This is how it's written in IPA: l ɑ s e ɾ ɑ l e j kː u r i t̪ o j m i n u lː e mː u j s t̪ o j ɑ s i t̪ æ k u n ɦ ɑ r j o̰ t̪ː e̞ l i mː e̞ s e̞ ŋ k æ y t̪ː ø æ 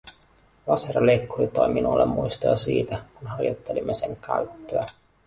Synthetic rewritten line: l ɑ s e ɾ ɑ l e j kː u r i t̪ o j m i n u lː e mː u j s t̪ o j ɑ s iː t̪ æ k u n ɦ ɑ r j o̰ t̪ː e̞ l i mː e̞ s e̞ ŋ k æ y t̪ː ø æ